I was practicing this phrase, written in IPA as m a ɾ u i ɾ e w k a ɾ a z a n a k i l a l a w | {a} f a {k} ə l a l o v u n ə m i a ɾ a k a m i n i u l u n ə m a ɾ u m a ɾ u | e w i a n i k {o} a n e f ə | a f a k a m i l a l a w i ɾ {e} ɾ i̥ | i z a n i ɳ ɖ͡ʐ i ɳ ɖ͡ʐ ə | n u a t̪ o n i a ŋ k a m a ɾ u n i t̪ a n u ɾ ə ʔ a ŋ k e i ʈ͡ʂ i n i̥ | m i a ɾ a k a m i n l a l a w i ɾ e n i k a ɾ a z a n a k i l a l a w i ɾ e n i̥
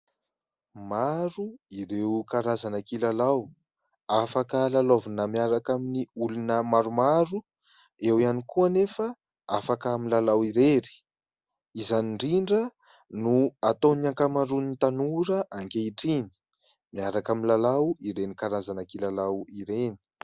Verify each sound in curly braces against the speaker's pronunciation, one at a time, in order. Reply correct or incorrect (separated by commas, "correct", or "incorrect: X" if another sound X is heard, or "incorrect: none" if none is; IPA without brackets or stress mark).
correct, correct, incorrect: u, correct